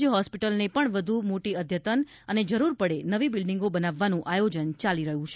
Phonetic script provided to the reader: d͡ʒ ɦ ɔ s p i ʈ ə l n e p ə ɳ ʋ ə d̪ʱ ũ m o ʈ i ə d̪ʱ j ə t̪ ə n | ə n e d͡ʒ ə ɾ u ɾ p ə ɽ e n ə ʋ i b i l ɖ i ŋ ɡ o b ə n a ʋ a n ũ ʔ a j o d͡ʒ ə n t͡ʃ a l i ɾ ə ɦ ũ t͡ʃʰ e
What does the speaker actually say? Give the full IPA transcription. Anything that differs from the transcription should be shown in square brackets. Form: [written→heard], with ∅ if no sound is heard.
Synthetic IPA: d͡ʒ ɦ ɔ s p i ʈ ə l n e p ə ɳ ʋ ə d̪ʱ [ũ→u] m o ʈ i ə d̪ʱ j ə t̪ ə n | ə n e d͡ʒ ə ɾ u ɾ p ə ɽ e n ə ʋ i b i l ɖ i ŋ ɡ o b ə n a [ʋ→ʋː] a n ũ ʔ a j o d͡ʒ ə n t͡ʃ a l i ɾ ə ɦ ũ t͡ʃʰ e